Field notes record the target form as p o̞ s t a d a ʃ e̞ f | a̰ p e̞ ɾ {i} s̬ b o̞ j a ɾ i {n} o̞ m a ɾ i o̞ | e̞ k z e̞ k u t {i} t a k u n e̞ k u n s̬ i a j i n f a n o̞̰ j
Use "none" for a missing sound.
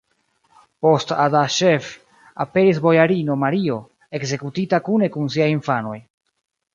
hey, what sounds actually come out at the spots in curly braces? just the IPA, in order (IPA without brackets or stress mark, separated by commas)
i, n, i